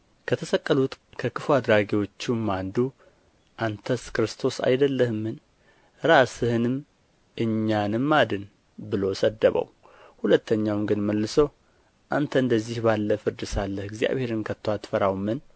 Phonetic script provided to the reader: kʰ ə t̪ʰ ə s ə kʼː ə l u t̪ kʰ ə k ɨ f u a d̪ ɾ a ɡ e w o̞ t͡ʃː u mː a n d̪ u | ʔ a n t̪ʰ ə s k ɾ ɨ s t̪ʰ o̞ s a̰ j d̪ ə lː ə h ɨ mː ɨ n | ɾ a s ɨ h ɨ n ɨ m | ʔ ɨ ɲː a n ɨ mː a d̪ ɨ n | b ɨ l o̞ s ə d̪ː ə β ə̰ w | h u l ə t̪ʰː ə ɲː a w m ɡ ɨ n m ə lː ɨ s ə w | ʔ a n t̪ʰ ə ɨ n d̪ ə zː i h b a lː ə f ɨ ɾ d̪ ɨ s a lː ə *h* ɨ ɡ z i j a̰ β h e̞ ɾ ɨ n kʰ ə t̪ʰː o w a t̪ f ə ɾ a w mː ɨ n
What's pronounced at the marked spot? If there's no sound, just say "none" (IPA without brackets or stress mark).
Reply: h